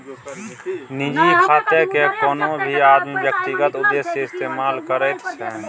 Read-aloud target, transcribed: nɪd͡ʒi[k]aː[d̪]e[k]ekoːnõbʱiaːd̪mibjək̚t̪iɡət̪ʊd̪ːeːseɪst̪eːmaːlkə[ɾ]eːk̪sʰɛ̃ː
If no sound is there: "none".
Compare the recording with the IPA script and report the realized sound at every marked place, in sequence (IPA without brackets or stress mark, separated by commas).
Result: kʰ, t̪, k, ɾ